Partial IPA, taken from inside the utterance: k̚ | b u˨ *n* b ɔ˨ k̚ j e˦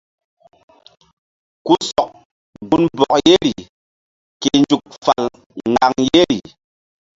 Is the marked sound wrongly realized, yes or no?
no